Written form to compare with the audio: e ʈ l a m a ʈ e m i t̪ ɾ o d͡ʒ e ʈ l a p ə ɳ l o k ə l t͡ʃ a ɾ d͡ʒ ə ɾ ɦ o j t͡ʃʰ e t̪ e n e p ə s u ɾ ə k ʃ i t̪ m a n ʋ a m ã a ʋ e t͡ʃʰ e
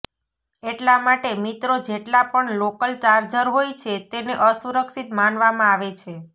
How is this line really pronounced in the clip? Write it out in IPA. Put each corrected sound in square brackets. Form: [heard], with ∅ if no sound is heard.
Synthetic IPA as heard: e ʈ l a m a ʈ e m i t̪ ɾ o d͡ʒ e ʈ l a p ə ɳ l o k ə l t͡ʃ a ɾ d͡ʒ ə ɾ ɦ o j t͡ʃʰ e t̪ e n e [ʔ] ə s u ɾ ə k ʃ i t̪ m a n ʋ a m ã a ʋ e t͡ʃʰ e